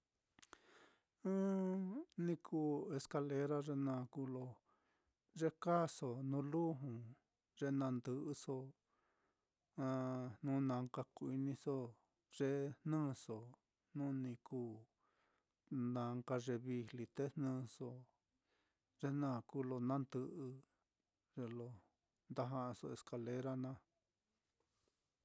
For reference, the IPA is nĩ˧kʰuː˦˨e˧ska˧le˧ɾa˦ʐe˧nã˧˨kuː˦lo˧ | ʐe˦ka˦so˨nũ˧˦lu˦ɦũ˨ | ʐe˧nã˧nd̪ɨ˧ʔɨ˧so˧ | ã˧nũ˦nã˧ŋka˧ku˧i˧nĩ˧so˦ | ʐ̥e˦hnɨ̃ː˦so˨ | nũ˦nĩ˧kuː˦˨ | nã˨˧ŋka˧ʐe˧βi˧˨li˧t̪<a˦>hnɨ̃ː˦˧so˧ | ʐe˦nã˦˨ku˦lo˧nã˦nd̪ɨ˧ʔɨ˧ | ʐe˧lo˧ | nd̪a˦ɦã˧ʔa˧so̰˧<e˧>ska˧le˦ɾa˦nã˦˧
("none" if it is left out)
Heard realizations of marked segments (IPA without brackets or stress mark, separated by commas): e˦, e˧